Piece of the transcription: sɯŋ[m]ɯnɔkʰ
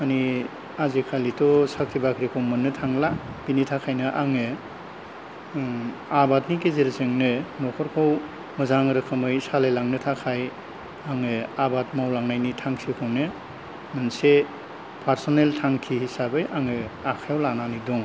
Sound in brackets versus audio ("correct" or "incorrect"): incorrect